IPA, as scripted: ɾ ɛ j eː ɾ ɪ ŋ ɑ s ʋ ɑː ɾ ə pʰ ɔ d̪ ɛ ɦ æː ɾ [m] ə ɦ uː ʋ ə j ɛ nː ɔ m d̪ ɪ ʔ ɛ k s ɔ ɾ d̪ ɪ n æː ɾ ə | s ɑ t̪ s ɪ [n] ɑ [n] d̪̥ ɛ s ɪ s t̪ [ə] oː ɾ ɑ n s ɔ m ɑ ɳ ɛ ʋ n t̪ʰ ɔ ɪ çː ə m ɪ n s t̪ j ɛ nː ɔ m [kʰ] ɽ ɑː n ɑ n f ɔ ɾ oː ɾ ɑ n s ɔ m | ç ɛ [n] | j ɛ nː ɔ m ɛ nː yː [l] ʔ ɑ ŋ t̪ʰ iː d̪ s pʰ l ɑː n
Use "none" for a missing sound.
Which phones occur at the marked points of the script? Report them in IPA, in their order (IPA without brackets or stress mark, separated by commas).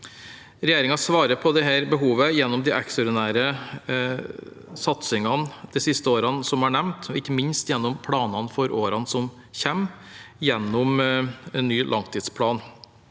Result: b, ŋ, n, ə, pʰ, m, l